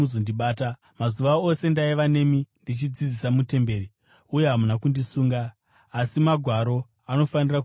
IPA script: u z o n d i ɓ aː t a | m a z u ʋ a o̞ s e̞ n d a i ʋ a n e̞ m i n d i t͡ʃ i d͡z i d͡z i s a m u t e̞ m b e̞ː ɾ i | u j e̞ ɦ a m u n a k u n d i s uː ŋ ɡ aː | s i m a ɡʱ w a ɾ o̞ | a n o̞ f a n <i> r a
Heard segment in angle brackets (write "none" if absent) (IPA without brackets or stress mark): i